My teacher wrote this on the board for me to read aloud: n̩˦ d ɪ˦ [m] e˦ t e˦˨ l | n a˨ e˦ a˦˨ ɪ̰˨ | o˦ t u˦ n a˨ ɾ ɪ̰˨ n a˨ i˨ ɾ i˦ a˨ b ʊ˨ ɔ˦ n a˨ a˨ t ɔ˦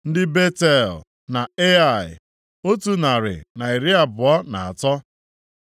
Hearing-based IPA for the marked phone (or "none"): b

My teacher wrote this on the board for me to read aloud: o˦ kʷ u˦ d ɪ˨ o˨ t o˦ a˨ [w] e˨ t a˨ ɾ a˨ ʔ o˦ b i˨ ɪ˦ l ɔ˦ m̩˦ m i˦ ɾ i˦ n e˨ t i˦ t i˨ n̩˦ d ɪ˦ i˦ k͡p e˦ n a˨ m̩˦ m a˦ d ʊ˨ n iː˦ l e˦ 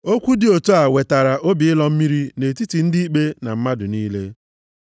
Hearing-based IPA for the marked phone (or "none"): w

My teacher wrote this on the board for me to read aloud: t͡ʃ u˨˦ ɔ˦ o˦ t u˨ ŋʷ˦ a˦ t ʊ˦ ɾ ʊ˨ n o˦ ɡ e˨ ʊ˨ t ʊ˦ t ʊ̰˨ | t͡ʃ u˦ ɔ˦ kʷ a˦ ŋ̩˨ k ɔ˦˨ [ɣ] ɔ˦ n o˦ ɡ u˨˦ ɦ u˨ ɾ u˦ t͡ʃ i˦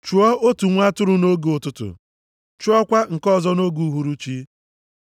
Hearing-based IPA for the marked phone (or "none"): z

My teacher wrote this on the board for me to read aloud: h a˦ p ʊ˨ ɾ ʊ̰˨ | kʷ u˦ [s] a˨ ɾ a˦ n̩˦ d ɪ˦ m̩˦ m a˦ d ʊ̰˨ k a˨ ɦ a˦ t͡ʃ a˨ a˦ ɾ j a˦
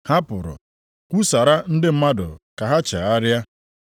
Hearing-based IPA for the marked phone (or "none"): s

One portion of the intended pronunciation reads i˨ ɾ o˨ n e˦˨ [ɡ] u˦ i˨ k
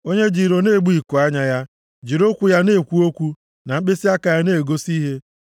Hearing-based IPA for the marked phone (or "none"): ɡ͡b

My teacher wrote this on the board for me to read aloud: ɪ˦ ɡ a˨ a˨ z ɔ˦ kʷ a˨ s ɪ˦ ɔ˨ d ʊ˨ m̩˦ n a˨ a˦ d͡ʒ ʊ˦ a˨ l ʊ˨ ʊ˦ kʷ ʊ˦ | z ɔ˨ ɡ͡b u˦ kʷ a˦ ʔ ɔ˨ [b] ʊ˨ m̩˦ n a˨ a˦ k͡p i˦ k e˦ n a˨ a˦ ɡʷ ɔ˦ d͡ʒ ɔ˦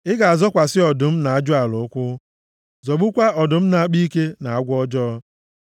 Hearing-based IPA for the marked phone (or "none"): d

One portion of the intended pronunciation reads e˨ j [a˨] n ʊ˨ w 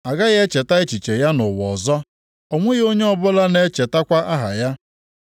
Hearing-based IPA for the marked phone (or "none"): a˦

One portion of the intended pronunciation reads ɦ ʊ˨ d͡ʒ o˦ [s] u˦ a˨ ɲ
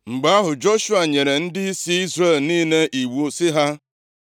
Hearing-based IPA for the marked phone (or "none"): ʃ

